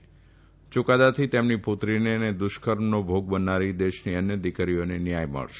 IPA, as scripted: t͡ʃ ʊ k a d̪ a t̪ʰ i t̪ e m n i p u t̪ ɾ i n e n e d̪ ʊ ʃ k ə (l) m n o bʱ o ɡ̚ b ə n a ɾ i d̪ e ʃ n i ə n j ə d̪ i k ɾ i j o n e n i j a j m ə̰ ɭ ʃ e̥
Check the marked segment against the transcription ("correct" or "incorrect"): incorrect